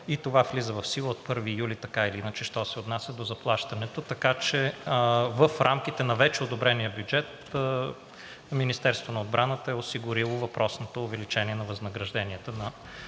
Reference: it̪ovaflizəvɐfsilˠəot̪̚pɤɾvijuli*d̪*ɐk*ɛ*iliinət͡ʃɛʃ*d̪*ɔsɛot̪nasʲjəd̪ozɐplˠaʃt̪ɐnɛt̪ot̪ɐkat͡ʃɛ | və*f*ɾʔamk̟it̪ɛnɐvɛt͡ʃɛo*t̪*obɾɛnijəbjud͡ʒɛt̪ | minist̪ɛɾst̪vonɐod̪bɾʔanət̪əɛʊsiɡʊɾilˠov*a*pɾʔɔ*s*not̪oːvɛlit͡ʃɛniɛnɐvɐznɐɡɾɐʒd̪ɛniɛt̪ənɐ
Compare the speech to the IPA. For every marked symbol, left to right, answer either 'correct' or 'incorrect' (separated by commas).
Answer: incorrect, incorrect, incorrect, correct, incorrect, incorrect, correct